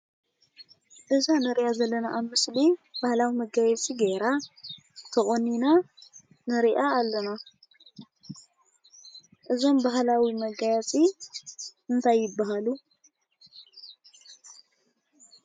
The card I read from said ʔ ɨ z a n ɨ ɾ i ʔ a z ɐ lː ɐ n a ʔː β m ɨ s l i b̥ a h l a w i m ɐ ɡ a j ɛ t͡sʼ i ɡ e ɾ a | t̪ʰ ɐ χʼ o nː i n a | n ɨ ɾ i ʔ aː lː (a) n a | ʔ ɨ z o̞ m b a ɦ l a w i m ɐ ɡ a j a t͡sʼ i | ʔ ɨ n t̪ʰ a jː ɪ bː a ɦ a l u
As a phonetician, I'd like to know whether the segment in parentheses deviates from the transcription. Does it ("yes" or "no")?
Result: yes